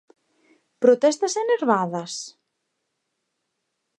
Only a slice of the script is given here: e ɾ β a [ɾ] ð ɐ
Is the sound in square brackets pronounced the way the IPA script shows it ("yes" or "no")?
no